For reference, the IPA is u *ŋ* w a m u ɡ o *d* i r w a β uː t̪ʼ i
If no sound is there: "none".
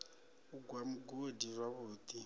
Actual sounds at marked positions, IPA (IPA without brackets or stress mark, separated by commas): ɡ, d